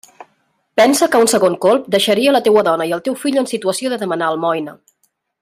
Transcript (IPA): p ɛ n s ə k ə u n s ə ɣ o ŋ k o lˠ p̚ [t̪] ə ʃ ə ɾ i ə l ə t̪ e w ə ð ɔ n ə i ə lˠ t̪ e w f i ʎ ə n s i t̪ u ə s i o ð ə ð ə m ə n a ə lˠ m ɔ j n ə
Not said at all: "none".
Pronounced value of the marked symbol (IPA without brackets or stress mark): d̪